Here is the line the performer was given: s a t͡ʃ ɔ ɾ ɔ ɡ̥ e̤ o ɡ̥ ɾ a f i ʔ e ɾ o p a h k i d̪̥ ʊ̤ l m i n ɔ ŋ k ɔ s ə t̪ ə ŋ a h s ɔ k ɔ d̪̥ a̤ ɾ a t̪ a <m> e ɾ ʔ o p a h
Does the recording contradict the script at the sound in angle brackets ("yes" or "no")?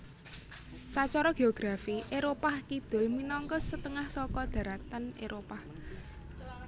yes